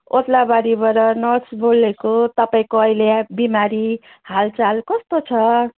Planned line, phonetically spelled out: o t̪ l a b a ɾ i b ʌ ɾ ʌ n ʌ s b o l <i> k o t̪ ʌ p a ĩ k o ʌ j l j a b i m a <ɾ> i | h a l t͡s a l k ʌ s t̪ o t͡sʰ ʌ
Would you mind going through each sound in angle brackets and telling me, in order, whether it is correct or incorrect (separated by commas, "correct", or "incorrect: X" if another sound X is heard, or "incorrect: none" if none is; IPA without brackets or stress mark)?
incorrect: e, correct